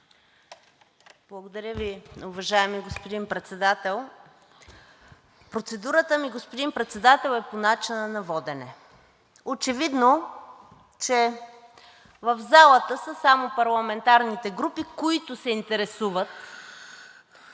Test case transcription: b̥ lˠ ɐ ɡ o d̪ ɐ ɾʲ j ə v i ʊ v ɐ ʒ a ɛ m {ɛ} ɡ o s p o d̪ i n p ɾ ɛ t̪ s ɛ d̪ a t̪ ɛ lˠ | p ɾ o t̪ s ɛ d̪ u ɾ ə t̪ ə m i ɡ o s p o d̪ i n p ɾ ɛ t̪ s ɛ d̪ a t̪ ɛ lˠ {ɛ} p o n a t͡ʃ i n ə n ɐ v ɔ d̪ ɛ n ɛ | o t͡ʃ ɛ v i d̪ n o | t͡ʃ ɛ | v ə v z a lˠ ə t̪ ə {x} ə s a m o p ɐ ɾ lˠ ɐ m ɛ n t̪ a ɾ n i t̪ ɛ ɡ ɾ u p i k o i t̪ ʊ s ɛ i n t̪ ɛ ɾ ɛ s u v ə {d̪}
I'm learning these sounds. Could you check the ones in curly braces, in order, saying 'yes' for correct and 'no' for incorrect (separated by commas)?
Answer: no, yes, no, no